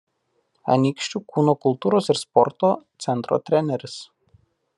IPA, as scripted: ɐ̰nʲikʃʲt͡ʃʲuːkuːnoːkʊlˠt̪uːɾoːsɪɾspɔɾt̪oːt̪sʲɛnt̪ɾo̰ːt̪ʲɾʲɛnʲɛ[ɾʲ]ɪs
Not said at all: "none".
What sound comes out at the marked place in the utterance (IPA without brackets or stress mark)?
ɾʲ